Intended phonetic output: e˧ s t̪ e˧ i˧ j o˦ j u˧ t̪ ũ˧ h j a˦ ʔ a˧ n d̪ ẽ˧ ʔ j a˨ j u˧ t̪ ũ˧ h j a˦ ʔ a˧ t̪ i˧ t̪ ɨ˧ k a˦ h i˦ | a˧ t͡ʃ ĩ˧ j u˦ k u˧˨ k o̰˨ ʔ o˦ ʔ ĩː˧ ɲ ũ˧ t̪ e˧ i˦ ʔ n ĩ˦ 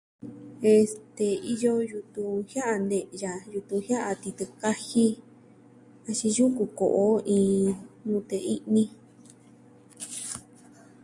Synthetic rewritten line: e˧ s t̪ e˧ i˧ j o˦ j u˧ t̪ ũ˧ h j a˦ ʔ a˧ n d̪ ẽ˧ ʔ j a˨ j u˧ t̪ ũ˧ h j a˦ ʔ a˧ t̪ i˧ t̪ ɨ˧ k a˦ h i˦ | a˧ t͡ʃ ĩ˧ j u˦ k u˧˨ k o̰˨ ʔ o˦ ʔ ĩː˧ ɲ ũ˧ t̪ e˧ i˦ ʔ n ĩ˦